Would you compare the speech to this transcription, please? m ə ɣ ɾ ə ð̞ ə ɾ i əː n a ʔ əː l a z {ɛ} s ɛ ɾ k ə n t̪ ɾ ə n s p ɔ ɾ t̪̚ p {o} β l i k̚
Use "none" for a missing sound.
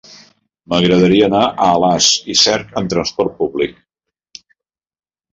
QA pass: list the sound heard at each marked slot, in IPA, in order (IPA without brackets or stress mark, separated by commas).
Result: i, u